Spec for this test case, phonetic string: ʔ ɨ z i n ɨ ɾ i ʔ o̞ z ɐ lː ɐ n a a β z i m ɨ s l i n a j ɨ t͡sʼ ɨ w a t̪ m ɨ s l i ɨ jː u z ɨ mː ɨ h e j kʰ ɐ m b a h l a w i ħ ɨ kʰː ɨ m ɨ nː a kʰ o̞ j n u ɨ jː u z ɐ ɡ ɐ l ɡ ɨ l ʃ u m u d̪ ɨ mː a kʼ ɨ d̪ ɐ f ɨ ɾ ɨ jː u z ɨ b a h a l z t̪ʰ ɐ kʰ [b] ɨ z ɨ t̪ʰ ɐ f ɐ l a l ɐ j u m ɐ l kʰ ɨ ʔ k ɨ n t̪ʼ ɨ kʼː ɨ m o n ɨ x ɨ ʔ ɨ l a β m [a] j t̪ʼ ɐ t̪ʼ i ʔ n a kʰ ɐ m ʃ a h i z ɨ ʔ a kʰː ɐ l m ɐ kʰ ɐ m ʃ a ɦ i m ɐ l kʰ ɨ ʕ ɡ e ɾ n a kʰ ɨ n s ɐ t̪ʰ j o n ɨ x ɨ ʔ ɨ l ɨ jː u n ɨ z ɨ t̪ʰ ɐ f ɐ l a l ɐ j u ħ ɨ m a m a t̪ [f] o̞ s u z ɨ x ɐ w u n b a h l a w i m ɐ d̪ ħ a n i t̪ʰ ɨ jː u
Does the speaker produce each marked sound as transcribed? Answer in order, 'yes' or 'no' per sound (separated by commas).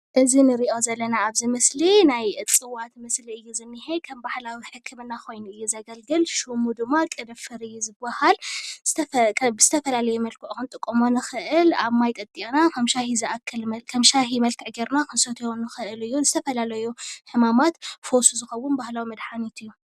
yes, yes, yes